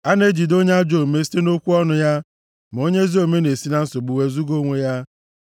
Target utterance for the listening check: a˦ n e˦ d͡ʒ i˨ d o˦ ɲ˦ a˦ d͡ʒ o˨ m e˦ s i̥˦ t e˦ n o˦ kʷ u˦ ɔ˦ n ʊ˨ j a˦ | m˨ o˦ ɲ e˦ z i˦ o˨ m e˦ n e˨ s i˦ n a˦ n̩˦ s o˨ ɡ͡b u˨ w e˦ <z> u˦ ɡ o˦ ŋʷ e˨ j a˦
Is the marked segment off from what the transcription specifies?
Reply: no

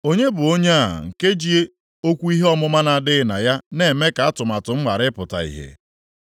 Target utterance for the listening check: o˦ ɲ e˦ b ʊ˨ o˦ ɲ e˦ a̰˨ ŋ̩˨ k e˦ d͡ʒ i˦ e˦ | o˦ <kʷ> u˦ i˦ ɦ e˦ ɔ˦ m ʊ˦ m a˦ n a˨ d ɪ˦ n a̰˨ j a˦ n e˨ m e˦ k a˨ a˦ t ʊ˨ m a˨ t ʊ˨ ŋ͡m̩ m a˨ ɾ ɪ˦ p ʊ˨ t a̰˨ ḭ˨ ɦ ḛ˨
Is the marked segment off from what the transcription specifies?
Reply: no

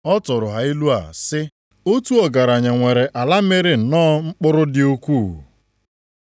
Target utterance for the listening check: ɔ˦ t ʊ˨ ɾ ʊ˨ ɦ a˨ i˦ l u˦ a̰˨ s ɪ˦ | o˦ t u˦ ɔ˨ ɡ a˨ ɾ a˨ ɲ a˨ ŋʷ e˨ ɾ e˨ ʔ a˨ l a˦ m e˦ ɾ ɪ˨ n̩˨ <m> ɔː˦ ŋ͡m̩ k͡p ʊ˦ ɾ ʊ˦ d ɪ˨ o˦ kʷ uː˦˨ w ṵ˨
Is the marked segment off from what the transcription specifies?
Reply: yes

